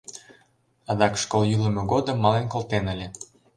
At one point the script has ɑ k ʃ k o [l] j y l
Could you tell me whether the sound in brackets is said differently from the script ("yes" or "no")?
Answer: no